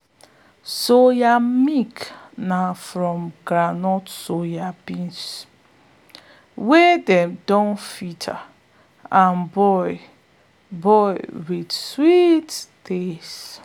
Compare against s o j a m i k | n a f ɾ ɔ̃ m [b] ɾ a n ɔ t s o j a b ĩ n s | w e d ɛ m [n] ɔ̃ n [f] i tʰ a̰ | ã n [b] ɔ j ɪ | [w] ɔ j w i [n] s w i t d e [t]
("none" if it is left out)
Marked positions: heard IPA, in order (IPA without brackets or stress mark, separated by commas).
ɡ, d, f, b, b, d, s